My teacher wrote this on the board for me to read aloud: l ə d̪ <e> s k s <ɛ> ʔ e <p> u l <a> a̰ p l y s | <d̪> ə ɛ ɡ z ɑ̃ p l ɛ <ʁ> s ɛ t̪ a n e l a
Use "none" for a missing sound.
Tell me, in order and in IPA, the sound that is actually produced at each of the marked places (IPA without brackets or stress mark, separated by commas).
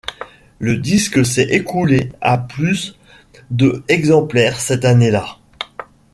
i, ɛ, k, e, d̪, ʁ